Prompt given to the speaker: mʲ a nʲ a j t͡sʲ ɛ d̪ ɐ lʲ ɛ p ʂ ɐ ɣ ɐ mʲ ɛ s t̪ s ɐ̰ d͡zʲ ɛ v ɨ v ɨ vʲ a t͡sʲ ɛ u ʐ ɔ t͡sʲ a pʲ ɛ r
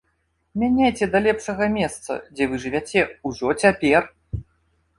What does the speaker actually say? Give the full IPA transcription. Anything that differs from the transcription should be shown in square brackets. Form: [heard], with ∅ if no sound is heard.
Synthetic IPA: mʲ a nʲ a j t͡sʲ ɛ d̪ ɐ lʲ ɛ p ʂ ɐ ɣ ɐ mʲ ɛ s t̪ s ɐ̰ d͡zʲ ɛ v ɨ [ʐ] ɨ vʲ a t͡sʲ ɛ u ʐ ɔ t͡sʲ a pʲ ɛ r